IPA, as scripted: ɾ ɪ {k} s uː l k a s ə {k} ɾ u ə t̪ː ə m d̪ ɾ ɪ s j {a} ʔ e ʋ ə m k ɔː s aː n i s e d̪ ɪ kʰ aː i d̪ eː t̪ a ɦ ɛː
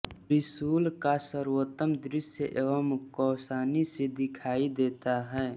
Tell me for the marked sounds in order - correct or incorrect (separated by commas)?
incorrect, incorrect, incorrect